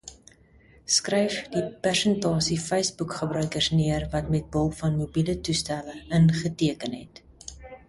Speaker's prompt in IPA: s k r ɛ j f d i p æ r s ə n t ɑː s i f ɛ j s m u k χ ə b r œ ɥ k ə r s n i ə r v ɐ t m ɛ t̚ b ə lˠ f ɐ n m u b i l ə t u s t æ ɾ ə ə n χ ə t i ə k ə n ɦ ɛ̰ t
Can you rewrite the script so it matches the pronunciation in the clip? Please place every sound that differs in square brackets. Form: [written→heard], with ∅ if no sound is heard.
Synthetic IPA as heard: s k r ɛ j f d i p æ r s ə n t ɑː s i f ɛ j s [m→b] u k χ ə b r œ ɥ k ə r s n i ə r v ɐ t m ɛ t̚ b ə lˠ f ɐ n m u b i l ə t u s t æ [ɾ→l] ə ə n χ ə t i ə k ə n ɦ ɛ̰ t